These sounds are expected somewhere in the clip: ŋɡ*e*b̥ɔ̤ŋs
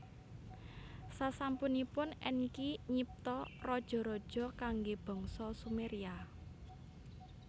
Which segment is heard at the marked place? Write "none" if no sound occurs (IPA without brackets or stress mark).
e